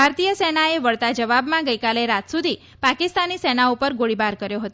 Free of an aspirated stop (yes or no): yes